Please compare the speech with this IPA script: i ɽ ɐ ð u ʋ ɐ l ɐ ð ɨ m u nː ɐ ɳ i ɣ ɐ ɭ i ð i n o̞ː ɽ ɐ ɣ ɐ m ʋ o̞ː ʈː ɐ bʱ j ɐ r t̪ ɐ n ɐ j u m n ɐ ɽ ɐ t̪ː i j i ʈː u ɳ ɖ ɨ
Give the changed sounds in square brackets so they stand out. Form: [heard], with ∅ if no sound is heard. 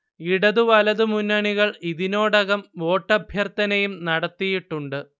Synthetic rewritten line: i ɽ ɐ ð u ʋ ɐ l ɐ ð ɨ m u nː ɐ ɳ i ɣ ɐ ɭ i ð i n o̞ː ɽ ɐ ɣ ɐ m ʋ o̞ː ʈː ɐ bʱ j ɐ r t̪ ɐ n ɐ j u m n ɐ ɽ ɐ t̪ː i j i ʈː u ɳ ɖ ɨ